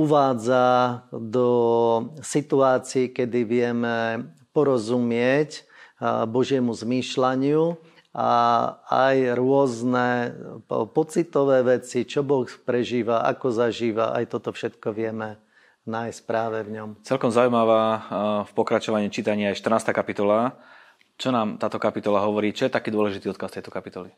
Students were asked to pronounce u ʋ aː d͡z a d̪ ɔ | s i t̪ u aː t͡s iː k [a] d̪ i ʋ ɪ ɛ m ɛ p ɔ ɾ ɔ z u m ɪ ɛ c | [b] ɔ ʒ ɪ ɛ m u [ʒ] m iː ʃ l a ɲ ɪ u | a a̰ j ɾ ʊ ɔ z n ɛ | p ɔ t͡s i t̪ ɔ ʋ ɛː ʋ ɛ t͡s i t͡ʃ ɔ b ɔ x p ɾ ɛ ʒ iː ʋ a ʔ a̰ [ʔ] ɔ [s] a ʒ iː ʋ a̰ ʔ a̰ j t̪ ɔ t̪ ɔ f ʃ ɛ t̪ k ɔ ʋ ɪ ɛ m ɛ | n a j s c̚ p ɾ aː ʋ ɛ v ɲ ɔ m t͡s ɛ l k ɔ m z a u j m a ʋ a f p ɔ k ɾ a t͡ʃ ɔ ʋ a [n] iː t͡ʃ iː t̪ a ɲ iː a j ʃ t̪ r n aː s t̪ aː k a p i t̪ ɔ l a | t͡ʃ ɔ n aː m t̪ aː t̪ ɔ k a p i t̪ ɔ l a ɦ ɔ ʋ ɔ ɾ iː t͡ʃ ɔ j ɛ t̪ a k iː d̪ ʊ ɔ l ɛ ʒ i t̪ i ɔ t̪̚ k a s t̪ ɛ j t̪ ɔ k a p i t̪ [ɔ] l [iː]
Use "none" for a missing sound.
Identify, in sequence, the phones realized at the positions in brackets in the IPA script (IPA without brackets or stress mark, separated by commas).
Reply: ɛ, b, z, k, z, ɲ, ɔ, i